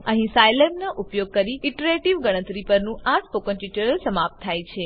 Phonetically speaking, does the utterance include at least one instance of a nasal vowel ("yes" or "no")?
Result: yes